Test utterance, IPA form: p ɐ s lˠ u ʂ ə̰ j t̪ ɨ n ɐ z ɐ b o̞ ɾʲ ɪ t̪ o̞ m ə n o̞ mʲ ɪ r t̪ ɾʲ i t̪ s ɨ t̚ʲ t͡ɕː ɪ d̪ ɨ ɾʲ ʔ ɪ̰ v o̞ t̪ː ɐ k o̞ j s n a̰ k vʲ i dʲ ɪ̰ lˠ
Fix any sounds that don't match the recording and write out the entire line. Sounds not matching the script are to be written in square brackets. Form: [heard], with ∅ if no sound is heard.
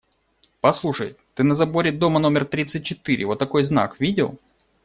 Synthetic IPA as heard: p ɐ s lˠ u ʂ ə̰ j t̪ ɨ n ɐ z ɐ b o̞ ɾʲ ɪ [d̪] o̞ m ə n o̞ mʲ ɪ r t̪ ɾʲ i t̪ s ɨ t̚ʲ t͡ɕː ɪ [t̪] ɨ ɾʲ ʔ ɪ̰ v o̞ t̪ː ɐ k o̞ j [z] n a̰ k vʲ i dʲ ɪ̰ lˠ